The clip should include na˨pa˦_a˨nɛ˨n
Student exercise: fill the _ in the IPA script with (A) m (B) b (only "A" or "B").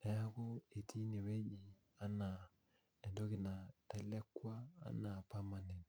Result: A